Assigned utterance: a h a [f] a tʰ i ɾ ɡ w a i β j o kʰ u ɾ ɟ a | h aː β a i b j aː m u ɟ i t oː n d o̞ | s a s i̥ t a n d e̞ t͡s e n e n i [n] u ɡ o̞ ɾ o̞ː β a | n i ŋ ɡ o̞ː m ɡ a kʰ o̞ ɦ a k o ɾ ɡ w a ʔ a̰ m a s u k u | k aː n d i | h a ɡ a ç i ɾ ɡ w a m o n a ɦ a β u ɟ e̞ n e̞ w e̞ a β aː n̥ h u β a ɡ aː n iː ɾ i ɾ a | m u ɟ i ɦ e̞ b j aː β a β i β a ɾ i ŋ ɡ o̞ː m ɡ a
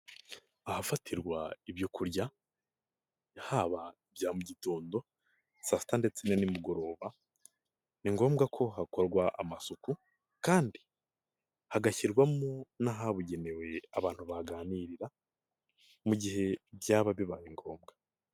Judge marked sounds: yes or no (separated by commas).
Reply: yes, no